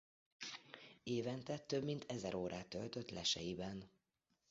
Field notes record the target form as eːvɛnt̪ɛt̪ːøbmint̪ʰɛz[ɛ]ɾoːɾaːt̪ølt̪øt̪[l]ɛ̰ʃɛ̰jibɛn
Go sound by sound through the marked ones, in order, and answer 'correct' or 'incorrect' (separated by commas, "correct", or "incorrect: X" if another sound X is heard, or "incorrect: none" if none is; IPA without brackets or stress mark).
correct, correct